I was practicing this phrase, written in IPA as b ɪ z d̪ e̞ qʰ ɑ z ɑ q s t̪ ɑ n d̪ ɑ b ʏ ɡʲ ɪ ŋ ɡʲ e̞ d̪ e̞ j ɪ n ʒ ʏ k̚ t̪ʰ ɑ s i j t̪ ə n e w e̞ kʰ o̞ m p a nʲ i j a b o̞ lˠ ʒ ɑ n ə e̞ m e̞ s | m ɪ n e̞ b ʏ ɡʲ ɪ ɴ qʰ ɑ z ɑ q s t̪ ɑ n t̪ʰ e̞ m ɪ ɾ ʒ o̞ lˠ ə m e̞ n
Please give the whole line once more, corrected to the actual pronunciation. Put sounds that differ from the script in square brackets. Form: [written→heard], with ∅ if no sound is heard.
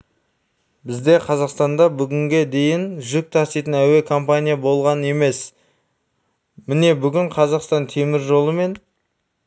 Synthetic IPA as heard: b ɪ z d̪ e̞ qʰ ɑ z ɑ q s t̪ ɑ n d̪ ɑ b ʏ ɡʲ ɪ ŋ ɡʲ e̞ d̪ e̞ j ɪ n ʒ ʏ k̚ t̪ʰ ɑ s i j t̪ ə n [e→æ] w e̞ kʰ o̞ m p a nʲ i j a b o̞ lˠ [ʒ→ʁ] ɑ n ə e̞ m e̞ s | m ɪ n e̞ b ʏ ɡʲ ɪ ɴ qʰ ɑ z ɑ q s t̪ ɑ n t̪ʰ e̞ m ɪ ɾ ʒ o̞ lˠ ə m e̞ n